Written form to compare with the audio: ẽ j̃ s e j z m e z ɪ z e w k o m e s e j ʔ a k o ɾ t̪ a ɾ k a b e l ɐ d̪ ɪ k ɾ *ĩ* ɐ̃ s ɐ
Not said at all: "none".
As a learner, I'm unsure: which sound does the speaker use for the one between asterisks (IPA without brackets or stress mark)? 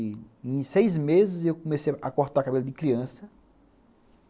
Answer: i